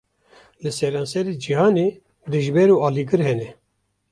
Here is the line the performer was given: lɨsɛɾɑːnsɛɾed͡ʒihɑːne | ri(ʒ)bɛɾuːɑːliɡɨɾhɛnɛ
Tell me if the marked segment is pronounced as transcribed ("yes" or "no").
yes